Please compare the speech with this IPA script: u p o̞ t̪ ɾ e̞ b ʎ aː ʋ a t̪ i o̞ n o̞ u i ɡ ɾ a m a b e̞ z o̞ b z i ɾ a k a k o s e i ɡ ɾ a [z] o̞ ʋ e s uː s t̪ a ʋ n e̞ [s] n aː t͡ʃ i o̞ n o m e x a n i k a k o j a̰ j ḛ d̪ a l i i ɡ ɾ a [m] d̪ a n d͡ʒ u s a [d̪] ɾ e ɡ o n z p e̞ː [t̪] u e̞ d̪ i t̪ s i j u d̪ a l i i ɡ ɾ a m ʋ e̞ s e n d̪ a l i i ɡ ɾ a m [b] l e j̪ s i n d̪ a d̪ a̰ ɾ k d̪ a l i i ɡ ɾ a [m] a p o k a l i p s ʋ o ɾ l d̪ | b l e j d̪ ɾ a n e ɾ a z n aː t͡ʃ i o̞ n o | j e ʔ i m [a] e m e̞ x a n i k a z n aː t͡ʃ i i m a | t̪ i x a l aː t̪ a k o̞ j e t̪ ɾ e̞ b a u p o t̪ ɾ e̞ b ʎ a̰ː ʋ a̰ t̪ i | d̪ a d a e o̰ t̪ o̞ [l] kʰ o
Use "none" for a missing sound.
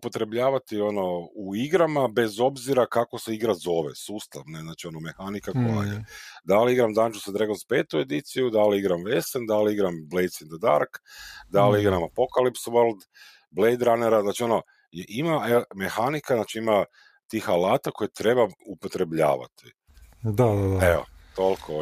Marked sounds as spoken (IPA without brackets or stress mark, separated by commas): z, z, m, d̪, t̪, b, m, a, l